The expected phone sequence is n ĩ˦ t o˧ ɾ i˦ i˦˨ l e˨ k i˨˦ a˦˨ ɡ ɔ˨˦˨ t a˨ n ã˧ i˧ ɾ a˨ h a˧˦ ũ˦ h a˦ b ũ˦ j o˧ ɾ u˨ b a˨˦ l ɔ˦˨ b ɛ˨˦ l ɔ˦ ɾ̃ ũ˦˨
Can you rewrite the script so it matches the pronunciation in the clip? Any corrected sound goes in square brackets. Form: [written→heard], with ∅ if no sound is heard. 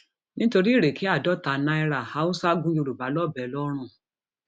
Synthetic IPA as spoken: n ĩ˦ t o˧ ɾ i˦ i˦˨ [l→ɾ] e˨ k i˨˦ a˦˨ [ɡ→d] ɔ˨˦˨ t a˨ n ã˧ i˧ ɾ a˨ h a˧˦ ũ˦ [h→s] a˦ [b→ɡ] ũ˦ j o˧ ɾ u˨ b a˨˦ l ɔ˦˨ b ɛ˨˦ l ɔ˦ ɾ̃ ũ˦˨